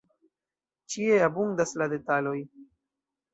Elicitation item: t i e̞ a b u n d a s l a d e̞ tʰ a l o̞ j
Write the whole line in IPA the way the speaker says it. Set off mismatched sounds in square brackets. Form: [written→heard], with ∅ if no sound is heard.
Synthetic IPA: [t→t͡ʃ] i e̞ a b u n d a s l a d e̞ [tʰ→t] a l o̞ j